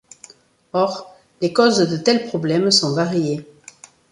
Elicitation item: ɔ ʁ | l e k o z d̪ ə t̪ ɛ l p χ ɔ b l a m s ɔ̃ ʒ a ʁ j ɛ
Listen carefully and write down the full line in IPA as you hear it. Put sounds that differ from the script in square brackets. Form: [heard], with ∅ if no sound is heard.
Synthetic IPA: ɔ ʁ | l e k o z d̪ ə t̪ ɛ l p χ ɔ b l [ɛ] m s ɔ̃ [v] a ʁ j [e]